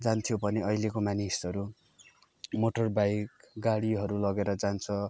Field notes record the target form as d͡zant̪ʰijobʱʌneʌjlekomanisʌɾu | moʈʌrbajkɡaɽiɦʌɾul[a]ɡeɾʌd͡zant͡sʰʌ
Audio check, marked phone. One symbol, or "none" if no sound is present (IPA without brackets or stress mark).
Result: ʌ